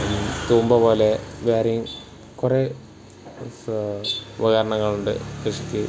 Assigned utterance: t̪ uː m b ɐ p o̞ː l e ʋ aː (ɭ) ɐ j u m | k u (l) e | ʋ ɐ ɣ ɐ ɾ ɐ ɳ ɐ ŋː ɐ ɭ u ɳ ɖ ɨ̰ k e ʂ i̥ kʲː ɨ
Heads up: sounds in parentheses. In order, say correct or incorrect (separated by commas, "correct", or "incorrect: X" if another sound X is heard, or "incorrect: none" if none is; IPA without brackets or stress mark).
incorrect: ɾ, incorrect: r